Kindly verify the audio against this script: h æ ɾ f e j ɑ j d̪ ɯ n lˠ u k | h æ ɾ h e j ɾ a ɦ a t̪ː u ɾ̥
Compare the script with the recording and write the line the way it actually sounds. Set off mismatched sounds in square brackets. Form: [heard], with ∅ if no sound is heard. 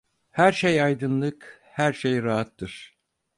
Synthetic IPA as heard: h æ ɾ [ʃ] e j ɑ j d̪ ɯ n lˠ [ɯ] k | h æ ɾ [ʃ] e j ɾ a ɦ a t̪ː [ɯ] ɾ̥